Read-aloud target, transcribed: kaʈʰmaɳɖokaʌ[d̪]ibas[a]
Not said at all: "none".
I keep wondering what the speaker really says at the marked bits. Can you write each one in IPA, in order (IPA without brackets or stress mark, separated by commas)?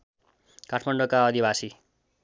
d̪, i